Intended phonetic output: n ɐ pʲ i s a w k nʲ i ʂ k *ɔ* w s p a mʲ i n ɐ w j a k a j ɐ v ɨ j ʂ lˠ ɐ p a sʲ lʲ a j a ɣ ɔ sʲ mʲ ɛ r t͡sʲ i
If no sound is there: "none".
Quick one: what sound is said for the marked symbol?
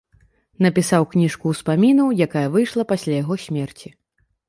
u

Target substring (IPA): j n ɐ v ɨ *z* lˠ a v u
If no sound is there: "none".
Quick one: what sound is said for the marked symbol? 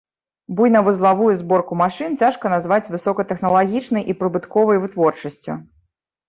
z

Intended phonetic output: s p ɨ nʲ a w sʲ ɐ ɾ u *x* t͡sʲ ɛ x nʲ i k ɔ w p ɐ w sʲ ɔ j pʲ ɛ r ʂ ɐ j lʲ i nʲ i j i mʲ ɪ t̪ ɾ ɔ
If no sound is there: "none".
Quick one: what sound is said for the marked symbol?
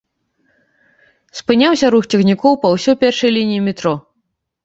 x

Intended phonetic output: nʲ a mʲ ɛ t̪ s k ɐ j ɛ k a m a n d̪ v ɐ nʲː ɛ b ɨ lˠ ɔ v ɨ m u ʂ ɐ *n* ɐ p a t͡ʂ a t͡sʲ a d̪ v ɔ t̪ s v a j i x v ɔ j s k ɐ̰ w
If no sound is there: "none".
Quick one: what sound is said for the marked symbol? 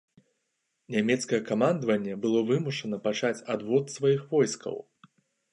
n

